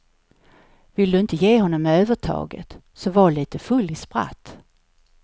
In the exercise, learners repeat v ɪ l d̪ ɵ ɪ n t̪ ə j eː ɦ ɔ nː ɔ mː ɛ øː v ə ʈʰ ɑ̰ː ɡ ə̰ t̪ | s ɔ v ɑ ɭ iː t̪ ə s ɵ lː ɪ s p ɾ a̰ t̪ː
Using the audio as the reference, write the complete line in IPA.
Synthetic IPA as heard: v ɪ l d̪ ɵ ɪ n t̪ ə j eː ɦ ɔ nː ɔ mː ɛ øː v ə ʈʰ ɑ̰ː ɡ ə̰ t̪ | s ɔ v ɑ ɭ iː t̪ ə f ɵ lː ɪ s p ɾ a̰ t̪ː